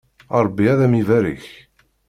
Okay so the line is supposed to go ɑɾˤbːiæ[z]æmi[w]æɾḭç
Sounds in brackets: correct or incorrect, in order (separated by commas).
incorrect, incorrect